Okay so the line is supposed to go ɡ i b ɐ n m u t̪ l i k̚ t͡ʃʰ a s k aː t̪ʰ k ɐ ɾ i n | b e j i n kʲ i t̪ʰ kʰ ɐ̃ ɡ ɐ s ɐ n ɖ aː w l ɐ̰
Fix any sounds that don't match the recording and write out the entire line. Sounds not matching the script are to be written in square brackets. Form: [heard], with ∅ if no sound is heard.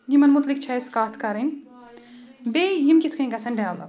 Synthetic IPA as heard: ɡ i [m] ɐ n m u t̪ l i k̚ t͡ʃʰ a s k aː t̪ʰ k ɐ ɾ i n | b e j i [m] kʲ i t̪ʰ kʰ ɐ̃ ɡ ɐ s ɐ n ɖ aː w l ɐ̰